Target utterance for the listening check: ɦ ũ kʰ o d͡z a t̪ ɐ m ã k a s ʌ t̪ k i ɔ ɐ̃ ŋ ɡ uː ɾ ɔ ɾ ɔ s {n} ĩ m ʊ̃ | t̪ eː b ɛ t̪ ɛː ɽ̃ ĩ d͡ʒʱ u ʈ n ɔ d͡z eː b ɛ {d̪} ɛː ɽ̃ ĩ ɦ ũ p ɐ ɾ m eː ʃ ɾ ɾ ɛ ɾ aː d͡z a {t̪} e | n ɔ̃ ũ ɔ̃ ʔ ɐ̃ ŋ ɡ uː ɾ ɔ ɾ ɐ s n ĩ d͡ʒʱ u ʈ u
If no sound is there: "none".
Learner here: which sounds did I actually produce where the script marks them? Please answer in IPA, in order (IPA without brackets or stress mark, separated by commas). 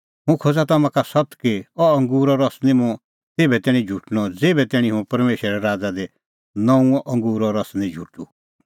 n, t̪, d̪